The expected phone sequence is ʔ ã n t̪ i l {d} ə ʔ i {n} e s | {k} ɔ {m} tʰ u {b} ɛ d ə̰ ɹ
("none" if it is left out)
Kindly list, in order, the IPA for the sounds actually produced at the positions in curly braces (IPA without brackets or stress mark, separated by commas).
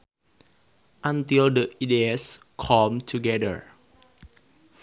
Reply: d, d, kʰ, m, ɡ